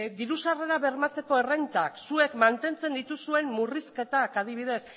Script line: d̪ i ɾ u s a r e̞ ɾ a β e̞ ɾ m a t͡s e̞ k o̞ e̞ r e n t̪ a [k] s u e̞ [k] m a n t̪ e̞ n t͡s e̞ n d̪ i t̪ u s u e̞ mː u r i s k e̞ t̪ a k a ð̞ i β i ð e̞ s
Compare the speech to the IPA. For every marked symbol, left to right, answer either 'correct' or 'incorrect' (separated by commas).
correct, correct